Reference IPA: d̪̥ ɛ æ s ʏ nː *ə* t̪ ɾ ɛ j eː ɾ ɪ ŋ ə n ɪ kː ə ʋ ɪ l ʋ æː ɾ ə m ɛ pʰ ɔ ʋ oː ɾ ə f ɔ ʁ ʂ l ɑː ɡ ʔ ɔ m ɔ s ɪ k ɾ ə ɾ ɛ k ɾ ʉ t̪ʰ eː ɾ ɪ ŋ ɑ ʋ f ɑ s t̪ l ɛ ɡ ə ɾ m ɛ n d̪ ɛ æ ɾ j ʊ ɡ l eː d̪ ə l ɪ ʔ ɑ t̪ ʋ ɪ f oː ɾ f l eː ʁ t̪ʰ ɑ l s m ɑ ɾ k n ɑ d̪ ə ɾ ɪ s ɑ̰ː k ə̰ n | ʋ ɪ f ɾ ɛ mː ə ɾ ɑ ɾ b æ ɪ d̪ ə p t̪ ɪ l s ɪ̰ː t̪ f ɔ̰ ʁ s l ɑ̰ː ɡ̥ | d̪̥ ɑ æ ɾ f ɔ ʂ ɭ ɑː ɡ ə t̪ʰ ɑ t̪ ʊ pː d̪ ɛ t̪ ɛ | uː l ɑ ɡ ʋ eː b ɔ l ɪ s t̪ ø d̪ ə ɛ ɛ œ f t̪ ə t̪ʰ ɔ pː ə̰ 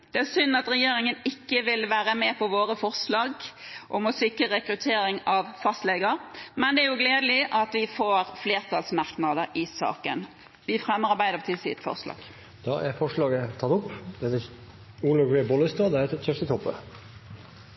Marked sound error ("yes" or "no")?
yes